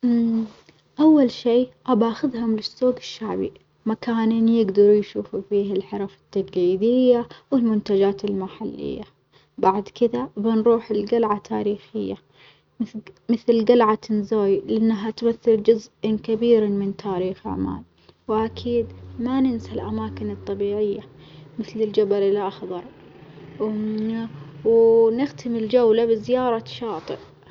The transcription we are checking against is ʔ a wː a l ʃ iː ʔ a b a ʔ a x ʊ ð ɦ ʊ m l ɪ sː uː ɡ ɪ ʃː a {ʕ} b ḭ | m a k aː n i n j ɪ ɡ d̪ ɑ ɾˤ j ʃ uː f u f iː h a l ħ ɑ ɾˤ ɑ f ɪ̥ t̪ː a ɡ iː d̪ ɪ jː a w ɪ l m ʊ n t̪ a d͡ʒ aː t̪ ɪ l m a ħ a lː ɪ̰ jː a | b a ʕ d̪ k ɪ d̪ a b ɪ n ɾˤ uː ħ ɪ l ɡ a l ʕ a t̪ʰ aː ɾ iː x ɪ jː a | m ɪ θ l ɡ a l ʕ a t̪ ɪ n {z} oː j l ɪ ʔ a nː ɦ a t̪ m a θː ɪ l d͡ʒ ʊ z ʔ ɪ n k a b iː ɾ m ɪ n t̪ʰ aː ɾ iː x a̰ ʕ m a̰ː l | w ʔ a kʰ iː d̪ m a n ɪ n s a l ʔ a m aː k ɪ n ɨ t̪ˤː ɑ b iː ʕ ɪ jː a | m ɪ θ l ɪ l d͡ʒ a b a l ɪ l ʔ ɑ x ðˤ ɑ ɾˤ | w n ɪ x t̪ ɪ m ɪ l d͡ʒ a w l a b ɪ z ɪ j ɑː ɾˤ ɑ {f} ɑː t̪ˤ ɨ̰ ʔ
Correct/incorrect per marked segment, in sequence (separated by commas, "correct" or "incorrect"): correct, correct, incorrect